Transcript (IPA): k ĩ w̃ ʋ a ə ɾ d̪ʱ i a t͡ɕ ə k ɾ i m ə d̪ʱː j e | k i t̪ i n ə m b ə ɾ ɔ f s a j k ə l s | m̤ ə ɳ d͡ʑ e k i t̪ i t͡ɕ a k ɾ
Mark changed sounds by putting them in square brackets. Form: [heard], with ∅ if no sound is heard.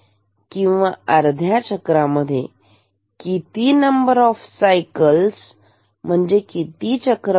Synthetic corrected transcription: k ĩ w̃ ʋ a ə ɾ d̪ʱ [j] a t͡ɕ ə k ɾ [a] m ə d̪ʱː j e | k i t̪ i n ə m b ə ɾ ɔ f s a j k ə l s | m̤ ə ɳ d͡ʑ e k i t̪ i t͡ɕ [ə] k ɾ